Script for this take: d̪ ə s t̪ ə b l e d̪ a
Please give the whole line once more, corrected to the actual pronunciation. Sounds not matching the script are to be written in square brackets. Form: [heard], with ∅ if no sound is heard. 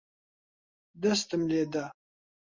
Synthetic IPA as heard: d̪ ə s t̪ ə [m] l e d̪ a